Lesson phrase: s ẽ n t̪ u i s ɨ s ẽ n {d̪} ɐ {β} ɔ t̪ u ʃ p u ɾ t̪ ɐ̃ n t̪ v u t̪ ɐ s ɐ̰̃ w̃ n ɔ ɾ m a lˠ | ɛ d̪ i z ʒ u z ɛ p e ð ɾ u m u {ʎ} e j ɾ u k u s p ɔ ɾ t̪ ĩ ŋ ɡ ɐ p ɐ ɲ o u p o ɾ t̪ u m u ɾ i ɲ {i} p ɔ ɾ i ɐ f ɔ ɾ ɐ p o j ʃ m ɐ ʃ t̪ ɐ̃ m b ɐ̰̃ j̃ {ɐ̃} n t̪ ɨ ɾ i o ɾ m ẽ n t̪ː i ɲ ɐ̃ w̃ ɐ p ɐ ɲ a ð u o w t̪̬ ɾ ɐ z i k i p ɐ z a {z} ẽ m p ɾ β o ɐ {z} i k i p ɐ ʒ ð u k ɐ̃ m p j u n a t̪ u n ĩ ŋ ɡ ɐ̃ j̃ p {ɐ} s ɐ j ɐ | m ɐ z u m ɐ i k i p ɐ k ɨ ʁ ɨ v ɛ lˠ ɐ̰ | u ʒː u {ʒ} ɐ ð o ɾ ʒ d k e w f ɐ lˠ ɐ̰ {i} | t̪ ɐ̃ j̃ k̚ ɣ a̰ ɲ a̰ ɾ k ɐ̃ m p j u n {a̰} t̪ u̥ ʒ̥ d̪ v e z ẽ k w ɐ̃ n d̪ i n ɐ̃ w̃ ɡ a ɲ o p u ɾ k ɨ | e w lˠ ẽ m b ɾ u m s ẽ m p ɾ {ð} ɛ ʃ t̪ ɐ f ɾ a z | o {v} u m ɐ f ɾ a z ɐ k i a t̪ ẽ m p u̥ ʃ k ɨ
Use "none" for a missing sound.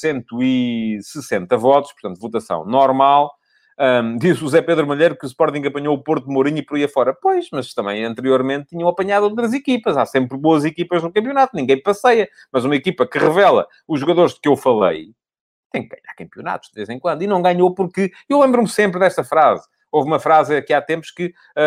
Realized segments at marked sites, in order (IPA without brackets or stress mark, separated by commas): t̪, v, ʎ, i, ɐ̃, s, z, ɐ, ɣ, j, a̰, ð, v